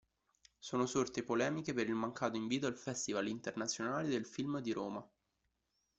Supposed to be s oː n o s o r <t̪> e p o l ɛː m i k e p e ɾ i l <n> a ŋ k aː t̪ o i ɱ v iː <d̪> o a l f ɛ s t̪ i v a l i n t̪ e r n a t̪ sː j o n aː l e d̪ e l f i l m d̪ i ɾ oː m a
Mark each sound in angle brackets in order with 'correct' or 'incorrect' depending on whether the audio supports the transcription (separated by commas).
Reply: correct, incorrect, incorrect